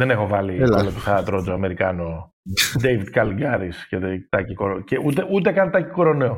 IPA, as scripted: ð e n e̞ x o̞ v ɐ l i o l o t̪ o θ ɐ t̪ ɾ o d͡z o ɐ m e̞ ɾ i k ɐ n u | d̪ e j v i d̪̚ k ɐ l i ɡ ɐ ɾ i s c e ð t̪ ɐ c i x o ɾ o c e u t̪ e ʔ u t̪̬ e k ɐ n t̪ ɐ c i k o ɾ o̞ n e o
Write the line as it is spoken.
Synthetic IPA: ð e n e̞ x o̞ v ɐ l i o l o t̪ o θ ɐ t̪ ɾ o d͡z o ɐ m e̞ ɾ i k ɐ n o | d̪ e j v i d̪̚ k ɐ l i ɡ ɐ ɾ i s c e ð t̪ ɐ c i k o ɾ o c e u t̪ e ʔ u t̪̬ e k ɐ n t̪ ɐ c i k o ɾ o̞ n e o